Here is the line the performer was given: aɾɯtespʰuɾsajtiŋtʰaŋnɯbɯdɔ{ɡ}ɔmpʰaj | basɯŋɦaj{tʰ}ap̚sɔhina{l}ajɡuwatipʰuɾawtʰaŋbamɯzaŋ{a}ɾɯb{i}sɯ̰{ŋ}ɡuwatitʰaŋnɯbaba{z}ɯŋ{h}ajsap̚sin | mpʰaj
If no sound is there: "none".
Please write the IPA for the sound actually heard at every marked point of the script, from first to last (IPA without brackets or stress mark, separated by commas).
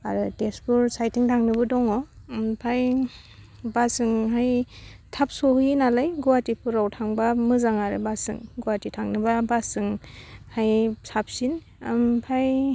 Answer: ŋ, tʰ, l, a, a, ŋ, s, h